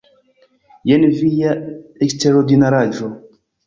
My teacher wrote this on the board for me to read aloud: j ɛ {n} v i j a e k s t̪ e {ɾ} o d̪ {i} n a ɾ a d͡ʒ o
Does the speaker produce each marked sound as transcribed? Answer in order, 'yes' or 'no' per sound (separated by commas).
yes, yes, yes